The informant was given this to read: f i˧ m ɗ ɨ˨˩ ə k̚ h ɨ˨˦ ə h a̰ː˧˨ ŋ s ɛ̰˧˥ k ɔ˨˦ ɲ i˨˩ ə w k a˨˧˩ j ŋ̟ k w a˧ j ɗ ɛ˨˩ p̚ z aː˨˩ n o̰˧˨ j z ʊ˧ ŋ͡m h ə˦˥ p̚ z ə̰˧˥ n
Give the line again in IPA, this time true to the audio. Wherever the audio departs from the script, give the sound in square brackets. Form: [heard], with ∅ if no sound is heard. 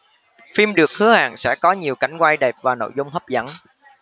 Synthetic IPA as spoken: f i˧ m ɗ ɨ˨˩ ə k̚ h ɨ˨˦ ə h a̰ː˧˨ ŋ s ɛ̰˧˥ k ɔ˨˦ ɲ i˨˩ ə w k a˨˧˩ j ŋ̟ k w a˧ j ɗ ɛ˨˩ p̚ [v] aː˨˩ n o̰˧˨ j z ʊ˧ ŋ͡m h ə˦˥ p̚ z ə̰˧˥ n